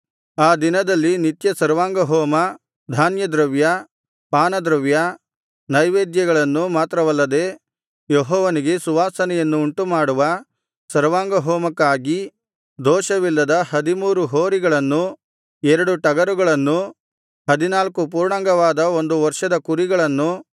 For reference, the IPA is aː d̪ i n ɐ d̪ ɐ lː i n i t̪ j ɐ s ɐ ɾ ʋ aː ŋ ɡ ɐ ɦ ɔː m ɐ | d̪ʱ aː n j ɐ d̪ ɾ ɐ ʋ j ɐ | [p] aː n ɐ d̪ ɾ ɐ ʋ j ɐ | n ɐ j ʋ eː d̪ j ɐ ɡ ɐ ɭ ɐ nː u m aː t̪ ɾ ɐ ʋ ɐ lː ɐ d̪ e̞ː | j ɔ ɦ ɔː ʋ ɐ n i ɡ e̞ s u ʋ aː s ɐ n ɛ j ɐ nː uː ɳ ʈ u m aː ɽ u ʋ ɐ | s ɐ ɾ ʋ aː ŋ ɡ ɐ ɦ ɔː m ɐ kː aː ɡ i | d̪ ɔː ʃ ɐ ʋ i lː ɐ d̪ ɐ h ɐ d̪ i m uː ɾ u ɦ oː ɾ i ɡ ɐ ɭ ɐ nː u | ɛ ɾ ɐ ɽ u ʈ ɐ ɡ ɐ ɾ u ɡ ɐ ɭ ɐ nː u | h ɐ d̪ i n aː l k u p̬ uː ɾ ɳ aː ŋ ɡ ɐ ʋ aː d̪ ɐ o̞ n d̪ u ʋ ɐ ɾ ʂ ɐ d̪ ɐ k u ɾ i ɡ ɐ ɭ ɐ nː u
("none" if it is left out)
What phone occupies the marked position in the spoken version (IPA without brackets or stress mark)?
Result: p